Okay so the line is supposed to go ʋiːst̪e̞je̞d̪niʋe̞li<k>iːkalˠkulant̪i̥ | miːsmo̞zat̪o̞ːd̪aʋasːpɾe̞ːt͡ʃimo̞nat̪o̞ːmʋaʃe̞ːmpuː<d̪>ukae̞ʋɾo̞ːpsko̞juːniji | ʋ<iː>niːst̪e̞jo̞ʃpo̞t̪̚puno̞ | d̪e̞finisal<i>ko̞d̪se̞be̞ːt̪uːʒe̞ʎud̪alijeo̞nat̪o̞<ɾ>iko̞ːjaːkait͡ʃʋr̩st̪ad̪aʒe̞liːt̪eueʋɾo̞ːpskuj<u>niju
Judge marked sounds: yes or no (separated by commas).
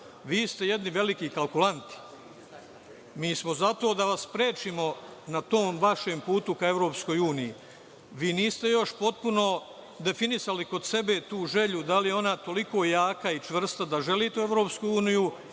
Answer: yes, no, yes, yes, no, no